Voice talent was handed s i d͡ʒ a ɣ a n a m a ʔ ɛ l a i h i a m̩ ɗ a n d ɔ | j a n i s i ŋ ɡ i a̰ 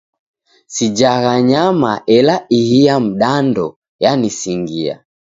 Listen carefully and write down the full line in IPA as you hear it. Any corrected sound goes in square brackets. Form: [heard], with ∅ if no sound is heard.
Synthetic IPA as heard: s i d͡ʒ a ɣ a [ɲ] a m a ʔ ɛ l a i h i a m̩ ɗ a n d ɔ | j a n i s i ŋ ɡ i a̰